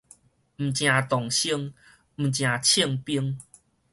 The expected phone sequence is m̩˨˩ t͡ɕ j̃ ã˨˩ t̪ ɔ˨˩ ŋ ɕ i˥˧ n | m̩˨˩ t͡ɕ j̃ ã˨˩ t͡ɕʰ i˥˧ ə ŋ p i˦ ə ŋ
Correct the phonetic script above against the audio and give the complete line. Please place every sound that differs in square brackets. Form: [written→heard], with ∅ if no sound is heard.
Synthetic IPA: m̩˨˩ t͡ɕ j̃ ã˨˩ t̪ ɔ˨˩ ŋ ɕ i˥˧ [n→ŋ] | m̩˨˩ t͡ɕ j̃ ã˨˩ t͡ɕʰ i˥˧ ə ŋ p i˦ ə ŋ